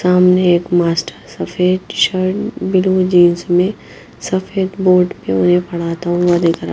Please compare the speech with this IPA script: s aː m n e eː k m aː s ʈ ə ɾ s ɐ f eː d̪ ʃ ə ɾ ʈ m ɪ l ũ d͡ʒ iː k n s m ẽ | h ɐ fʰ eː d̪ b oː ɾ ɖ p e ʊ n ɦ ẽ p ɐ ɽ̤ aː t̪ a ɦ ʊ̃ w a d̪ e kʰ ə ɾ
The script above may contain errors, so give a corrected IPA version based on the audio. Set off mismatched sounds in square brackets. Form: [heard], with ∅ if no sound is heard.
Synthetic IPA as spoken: s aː m n e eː k m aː s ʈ ə ɾ s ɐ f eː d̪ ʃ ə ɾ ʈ [b] ɪ l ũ d͡ʒ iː [∅] n s m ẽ | [s] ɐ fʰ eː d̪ b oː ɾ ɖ p e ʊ n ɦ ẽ p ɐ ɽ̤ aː t̪ a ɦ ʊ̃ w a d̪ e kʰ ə ɾ